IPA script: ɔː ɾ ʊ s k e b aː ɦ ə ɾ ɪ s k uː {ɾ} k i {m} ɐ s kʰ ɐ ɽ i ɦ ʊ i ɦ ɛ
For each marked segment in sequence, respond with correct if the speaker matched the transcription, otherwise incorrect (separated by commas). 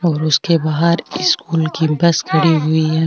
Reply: incorrect, incorrect